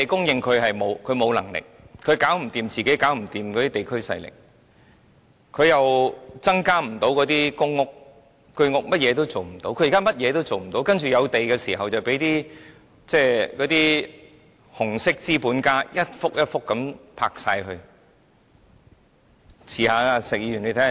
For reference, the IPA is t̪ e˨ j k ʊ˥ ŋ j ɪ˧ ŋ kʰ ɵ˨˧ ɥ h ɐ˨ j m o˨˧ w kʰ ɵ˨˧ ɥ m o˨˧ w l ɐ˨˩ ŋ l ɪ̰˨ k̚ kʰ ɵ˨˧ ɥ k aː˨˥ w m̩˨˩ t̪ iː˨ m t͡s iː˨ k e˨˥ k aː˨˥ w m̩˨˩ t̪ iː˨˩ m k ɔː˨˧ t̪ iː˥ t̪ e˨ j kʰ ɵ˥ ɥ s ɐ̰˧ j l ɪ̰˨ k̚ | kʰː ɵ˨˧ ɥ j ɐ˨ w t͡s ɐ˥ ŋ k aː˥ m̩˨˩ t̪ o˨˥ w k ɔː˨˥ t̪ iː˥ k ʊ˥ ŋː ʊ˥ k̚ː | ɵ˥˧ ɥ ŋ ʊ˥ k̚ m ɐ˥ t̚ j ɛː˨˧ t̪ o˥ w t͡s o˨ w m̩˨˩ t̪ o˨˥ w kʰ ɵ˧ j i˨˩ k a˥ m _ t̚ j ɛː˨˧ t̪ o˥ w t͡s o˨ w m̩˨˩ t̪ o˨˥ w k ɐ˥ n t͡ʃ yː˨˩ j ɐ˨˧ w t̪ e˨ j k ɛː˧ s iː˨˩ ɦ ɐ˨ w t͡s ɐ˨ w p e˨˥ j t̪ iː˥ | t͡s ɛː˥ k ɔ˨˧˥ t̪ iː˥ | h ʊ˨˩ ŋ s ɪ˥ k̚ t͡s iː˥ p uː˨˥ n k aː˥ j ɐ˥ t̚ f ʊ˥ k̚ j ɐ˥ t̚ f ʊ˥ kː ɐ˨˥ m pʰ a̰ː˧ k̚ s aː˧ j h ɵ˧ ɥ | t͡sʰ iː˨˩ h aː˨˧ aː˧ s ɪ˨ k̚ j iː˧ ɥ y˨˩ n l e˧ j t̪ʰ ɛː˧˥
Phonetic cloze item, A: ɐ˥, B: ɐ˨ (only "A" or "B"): A